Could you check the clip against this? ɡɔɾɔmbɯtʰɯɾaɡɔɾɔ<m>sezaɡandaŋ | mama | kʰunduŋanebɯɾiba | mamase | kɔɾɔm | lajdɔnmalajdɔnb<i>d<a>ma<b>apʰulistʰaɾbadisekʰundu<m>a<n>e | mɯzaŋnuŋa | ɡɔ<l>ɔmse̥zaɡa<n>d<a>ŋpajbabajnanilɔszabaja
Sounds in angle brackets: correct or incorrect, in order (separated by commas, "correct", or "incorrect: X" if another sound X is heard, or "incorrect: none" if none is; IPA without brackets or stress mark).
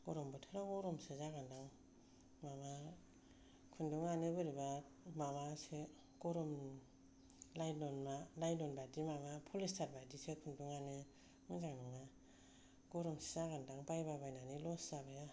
correct, incorrect: a, incorrect: i, incorrect: m, incorrect: ŋ, correct, incorrect: ɾ, correct, correct